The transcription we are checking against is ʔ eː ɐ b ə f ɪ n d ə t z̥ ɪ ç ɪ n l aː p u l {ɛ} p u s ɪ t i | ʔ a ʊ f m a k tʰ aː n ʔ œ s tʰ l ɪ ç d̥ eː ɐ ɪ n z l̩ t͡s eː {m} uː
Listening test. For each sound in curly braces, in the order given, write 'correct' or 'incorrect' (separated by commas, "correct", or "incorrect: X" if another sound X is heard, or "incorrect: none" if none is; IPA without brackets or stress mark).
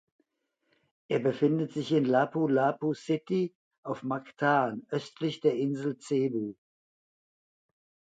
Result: incorrect: a, incorrect: b